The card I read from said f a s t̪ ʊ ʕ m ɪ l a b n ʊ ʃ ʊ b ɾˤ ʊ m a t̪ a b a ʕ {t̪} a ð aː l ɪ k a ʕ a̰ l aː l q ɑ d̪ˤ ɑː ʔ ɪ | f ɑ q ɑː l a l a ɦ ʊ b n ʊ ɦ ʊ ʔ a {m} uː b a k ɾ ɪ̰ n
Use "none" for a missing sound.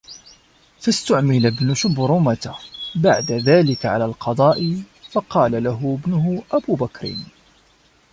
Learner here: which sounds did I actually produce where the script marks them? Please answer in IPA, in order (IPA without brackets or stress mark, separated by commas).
d̪, b